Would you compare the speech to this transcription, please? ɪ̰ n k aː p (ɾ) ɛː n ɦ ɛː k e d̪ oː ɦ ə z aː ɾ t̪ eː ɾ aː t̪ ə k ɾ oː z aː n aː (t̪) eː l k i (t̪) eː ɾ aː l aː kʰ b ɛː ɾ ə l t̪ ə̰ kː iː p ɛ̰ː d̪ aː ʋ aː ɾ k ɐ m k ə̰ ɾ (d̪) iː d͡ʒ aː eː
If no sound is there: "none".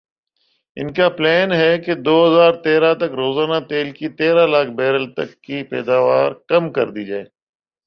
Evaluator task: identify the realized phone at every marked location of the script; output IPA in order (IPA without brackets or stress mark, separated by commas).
l, t̪, t̪, d̪